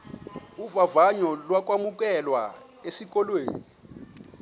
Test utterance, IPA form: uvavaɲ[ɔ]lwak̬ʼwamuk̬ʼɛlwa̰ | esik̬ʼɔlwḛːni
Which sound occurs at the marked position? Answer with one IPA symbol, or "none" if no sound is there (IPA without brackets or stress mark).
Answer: ɔ